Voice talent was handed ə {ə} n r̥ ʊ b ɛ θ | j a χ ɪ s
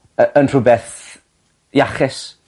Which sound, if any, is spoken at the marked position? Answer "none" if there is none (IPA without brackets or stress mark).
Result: ə